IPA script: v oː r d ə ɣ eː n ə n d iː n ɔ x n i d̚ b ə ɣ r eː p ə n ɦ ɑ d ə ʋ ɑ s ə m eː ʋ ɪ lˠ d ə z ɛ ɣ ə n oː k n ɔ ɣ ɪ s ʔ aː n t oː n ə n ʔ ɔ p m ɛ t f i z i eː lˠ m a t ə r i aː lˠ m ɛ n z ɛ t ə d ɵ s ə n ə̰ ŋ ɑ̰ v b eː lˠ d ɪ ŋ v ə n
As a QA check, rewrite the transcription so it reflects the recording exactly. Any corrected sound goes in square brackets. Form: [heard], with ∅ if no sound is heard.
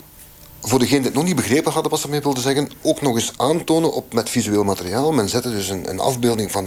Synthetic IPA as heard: v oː r d ə ɣ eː n ə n d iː n ɔ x n i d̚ b ə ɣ r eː p ə n ɦ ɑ d ə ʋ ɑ s ə m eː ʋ ɪ lˠ d ə z ɛ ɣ ə n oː k n ɔ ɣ ɪ s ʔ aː n t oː n ə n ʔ ɔ p m ɛ t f i z [y] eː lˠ m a t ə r i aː lˠ m ɛ n z ɛ t ə d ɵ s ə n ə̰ [n] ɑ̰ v b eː lˠ d ɪ ŋ v [ɑ] n